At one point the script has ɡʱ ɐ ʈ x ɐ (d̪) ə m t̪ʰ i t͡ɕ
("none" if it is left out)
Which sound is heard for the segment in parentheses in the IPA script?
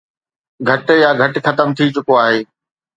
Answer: t̪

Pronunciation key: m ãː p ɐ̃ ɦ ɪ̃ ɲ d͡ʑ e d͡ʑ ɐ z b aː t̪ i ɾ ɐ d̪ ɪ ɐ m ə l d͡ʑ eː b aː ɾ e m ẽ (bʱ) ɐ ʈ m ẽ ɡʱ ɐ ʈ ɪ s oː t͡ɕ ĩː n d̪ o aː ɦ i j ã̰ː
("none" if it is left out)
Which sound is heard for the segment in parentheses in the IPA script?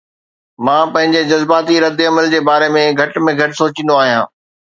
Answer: ɡʱ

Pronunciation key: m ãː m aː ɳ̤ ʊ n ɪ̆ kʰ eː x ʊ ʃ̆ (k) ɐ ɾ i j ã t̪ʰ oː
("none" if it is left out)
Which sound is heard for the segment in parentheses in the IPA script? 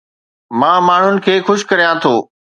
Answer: k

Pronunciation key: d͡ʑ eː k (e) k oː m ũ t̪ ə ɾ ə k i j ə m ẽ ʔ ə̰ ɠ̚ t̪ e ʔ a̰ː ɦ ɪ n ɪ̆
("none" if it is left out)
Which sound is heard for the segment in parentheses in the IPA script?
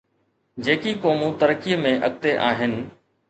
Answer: i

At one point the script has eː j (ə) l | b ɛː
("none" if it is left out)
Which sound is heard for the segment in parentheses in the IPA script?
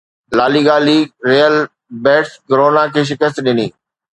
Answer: ə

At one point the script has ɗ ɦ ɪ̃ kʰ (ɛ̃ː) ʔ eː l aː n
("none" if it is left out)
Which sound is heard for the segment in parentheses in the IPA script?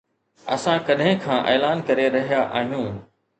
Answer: ãː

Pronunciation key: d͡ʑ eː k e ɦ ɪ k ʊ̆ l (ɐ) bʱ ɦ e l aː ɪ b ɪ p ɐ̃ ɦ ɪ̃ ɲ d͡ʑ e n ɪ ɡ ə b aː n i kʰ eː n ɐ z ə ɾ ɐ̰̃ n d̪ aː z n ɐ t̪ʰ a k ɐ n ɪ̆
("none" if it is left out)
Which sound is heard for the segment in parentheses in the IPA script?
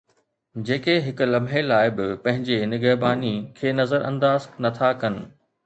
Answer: ɐ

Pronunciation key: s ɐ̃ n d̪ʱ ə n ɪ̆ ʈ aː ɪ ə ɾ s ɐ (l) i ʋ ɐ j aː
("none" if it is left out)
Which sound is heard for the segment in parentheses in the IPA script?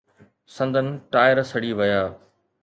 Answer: ɽ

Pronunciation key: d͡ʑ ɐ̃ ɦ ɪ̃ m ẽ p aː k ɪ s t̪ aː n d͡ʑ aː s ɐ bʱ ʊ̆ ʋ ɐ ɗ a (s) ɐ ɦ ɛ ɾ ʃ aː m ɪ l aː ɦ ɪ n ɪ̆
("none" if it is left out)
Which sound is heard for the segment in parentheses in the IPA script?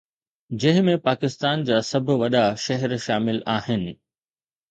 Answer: ʃ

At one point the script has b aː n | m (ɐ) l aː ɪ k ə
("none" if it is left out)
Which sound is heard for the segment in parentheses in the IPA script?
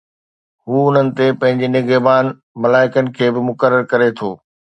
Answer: ɐ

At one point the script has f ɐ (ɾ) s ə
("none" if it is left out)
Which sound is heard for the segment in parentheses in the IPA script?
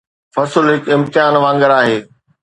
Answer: none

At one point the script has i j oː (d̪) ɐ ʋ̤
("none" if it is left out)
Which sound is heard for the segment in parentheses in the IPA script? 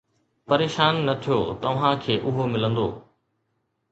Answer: t̪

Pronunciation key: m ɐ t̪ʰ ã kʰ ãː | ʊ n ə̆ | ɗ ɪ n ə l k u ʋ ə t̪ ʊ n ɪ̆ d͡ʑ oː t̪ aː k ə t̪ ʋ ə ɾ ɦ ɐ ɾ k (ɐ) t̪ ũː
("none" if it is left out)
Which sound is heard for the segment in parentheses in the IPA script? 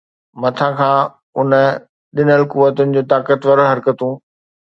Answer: ə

